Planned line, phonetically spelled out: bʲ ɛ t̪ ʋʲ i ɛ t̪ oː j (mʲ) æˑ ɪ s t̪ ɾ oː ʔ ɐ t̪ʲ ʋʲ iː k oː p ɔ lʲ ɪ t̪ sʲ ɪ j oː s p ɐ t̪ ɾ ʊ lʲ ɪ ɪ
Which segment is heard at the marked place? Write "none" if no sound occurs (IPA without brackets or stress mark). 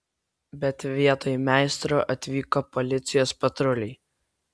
mʲ